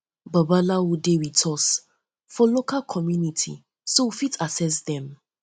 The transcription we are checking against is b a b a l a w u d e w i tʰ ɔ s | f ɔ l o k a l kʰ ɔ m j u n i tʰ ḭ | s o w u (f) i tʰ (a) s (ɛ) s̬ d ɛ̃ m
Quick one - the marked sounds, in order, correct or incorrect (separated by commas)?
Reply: correct, correct, correct